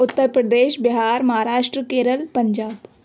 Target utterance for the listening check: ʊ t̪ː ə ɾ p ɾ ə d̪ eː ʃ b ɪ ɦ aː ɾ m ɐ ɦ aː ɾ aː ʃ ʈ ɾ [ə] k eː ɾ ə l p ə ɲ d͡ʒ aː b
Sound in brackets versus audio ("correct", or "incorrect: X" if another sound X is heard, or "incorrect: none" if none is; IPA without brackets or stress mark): correct